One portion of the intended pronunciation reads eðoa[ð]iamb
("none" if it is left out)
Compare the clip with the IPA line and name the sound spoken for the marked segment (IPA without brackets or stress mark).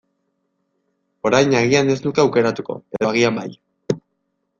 ɣ